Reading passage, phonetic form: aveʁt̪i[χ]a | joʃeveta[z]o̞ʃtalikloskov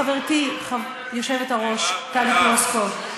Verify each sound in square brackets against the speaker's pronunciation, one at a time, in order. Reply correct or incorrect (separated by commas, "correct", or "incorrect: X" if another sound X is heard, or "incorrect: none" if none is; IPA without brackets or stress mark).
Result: correct, incorrect: ʁ